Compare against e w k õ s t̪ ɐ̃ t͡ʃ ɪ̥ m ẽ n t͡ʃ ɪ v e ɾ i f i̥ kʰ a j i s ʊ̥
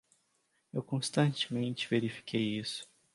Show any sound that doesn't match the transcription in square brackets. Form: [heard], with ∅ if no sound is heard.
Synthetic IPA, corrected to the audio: e w k õ s t̪ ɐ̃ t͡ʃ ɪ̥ m ẽ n t͡ʃ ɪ v e ɾ i f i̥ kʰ [e] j i s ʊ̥